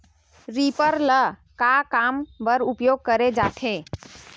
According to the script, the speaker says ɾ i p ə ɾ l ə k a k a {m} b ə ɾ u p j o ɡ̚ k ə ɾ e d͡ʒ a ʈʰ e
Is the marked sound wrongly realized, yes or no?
no